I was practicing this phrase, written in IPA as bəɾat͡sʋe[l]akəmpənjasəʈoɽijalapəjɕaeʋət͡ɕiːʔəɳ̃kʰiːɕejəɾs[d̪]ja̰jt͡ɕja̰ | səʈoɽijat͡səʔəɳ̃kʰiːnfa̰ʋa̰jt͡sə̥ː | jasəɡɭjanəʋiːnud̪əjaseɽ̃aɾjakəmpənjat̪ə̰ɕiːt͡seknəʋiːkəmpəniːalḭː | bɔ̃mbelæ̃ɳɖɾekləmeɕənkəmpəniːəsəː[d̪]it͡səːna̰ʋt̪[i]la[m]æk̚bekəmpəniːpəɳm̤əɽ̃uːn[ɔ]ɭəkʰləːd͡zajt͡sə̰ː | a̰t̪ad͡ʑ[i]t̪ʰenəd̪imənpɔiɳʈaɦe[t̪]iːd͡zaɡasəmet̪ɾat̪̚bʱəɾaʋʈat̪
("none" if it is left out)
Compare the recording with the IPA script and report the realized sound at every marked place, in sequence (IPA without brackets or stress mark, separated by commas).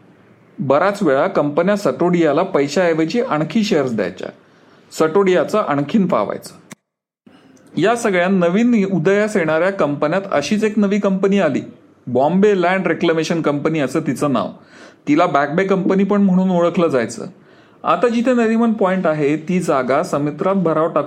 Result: ɭ, d̪, t̪, i, b, o, i, t̪